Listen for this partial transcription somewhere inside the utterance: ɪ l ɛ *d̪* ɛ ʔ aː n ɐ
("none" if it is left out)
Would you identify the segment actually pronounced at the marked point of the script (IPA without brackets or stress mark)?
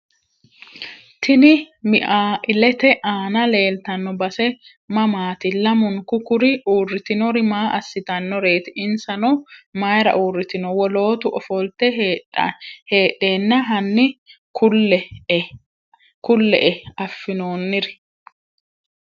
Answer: t̪